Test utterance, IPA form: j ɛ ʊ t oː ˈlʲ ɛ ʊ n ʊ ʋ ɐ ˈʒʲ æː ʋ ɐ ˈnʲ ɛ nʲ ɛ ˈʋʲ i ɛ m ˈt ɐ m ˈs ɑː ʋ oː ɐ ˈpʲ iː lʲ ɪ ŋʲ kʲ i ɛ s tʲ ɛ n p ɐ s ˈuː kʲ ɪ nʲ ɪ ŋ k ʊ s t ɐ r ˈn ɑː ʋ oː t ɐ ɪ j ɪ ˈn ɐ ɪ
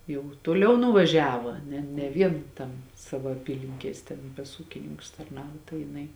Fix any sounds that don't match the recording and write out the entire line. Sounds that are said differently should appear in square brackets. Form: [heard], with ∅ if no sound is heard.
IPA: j ɛ ʊ t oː ˈlʲ ɛ ʊ n ʊ ʋ ɐ ˈʒʲ æː ʋ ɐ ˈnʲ ɛ nʲ ɛ ˈʋʲ i ɛ [n] ˈt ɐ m ˈs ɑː ʋ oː ɐ ˈpʲ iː lʲ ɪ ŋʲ kʲ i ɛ s tʲ ɛ n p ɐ s ˈuː kʲ ɪ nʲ ɪ ŋ k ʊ s t ɐ r ˈn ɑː ʋ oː t ɐ ɪ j ɪ ˈn ɐ ɪ